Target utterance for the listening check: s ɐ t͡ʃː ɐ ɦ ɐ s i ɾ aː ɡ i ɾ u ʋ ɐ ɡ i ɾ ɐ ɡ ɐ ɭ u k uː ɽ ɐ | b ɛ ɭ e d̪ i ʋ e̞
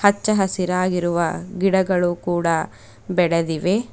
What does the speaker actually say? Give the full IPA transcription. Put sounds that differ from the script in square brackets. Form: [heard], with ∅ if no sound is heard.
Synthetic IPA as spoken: [h] ɐ t͡ʃː ɐ ɦ ɐ s i ɾ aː ɡ i ɾ u ʋ ɐ ɡ i [ɽ] ɐ ɡ ɐ ɭ u k uː ɽ ɐ | b ɛ [ɽ] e d̪ i ʋ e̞